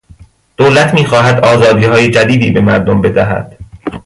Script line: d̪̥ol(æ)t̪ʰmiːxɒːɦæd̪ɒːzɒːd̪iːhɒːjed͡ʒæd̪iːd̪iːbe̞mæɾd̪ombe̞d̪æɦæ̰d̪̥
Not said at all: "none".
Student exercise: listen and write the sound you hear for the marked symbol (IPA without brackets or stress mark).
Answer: æ